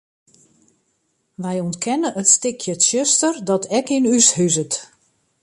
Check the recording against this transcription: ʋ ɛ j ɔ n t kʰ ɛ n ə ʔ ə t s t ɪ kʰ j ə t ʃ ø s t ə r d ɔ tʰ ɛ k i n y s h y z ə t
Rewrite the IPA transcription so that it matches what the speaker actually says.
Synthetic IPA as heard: ʋ ɛ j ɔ n t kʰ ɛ n ə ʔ ə t s t ɪ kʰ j ə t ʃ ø s t ə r d ɔ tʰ ɛ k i n y s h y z ə t

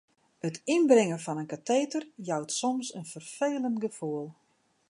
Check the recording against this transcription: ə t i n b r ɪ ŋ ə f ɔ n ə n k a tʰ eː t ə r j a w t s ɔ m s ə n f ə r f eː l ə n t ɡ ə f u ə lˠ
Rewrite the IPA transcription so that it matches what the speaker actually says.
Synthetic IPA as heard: ə t i n b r ɪ ŋ ə f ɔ n ə n k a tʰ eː t ə r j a w t s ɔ m s ə n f ə r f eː l ə n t ɡ ə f u ə lˠ

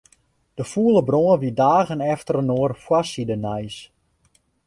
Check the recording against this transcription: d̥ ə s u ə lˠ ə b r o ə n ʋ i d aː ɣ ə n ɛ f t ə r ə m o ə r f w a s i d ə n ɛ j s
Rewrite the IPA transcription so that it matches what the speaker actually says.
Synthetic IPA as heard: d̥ ə f u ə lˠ ə b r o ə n ʋ i d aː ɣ ə n ɛ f t ə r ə n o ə r f w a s i d ə n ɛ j s

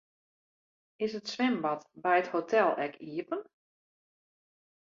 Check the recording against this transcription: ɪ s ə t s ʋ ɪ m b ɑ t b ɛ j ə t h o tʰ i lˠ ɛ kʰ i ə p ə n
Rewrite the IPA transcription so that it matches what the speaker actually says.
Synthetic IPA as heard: ɪ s ə t s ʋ ɪ m b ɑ t b ɛ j ə t h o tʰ ɛ lˠ ɛ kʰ i ə p ə n

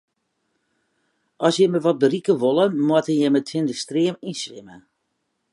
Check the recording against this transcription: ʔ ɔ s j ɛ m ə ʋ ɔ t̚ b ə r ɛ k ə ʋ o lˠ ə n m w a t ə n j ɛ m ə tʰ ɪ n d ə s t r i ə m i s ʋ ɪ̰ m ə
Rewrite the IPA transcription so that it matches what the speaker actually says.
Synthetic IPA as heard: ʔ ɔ s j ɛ m ə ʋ ɔ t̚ b ə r i k ə ʋ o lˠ ə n m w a t ə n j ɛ m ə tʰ ɪ n d ə s t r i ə m i s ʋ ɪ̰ m ə

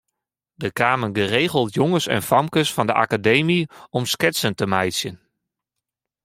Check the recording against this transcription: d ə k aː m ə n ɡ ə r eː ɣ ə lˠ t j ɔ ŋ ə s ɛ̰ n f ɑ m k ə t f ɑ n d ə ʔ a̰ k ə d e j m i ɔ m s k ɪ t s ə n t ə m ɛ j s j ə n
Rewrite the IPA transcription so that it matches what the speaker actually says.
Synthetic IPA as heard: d ə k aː m ə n ɡ ə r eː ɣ ə lˠ t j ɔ ŋ ə s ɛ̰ n f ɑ m k ə s f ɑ n d ə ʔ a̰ k a d e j m i ɔ m s k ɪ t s ə n t ə m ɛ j s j ə n

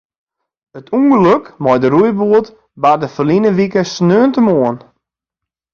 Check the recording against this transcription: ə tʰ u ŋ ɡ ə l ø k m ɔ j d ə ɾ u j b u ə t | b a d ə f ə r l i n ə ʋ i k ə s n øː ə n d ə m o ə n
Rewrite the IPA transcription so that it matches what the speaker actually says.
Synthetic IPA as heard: ə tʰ u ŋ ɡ ə l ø k m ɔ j d ə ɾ u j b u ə t | b a d ə f ə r l i n ə ʋ i k ə s n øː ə n t ə m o ə n

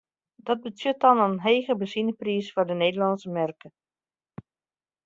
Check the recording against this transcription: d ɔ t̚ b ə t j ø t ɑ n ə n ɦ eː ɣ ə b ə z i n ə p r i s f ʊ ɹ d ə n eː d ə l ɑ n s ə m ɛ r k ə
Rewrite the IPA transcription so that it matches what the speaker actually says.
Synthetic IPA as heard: d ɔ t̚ b ə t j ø t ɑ n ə n ɦ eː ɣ ə b ə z i n ə p r i s f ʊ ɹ d ə n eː d ə l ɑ n s ə m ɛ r k ə

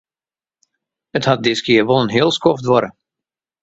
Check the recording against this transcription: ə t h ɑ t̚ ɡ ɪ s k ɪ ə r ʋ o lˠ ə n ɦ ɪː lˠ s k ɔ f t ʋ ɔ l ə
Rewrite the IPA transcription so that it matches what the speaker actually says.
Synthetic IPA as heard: ə t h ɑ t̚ d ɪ s k ɪ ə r ʋ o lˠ ə n ɦ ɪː lˠ s k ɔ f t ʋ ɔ ɾ ə

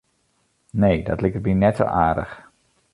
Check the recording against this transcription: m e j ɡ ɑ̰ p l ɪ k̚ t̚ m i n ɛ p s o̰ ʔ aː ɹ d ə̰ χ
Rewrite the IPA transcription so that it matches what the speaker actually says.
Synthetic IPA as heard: n e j d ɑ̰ t l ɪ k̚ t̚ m i n ɛ t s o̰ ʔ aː ɹ d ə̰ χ

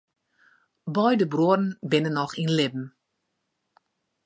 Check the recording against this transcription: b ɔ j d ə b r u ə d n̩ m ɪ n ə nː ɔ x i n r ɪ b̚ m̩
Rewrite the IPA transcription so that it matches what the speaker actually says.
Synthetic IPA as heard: b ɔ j d ə b r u ə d n̩ b ɪ n ə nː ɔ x i n l ɪ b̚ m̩

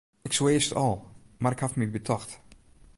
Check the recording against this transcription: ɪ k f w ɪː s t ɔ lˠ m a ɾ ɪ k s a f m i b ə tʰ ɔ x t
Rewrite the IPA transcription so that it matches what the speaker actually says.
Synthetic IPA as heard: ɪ k s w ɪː s t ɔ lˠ m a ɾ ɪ k h a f m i b ə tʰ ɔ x t

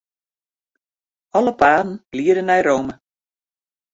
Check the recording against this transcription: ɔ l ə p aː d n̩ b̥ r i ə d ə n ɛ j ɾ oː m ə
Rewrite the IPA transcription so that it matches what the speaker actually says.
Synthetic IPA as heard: ɔ l ə p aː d n̩ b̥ l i ə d ə n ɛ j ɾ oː m ə

